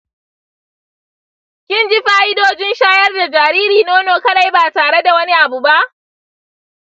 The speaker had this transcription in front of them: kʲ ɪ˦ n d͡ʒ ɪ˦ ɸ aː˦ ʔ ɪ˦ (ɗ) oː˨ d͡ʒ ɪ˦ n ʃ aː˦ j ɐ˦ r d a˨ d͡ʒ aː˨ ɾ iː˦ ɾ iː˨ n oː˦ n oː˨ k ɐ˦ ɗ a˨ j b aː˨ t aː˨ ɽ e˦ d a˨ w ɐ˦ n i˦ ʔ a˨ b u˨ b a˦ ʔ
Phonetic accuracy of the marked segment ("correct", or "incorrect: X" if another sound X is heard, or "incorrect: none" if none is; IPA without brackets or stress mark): incorrect: d